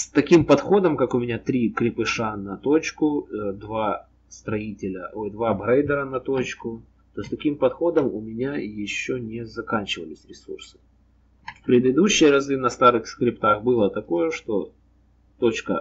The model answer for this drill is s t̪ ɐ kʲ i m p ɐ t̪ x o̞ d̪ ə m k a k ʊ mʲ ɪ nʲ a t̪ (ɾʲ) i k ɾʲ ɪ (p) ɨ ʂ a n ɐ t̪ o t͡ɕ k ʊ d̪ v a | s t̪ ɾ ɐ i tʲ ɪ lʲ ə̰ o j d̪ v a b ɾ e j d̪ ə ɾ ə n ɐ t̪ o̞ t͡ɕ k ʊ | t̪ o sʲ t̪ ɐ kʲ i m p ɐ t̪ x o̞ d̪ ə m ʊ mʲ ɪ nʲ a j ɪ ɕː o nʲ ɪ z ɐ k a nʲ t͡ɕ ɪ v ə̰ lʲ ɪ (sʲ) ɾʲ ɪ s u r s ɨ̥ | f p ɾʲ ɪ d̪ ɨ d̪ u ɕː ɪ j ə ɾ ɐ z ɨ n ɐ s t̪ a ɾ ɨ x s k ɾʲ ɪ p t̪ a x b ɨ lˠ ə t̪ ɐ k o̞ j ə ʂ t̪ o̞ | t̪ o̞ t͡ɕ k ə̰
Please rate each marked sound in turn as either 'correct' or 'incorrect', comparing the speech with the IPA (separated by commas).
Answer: correct, correct, correct